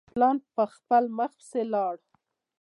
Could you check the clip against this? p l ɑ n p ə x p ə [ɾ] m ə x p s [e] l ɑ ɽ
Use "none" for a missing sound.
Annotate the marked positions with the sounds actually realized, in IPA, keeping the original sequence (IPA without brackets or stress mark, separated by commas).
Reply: l, e